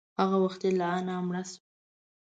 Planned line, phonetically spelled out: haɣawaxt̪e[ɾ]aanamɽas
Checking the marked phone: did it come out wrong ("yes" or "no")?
yes